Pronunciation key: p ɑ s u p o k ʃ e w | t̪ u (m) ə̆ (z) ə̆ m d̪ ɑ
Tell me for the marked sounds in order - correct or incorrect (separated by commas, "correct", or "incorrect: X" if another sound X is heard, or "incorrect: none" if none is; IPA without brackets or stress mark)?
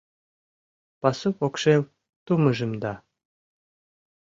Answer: correct, incorrect: ʒ